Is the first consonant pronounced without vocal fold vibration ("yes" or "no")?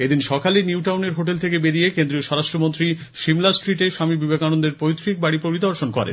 no